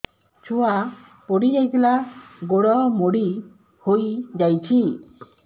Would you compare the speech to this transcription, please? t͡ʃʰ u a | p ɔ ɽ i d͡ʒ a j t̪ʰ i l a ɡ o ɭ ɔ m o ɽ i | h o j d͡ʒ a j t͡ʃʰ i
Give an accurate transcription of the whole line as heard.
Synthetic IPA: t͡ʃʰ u a | p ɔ ɽ i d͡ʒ a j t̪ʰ i l a ɡ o ɽ ɔ m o ɽ i | h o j d͡ʒ a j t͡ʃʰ i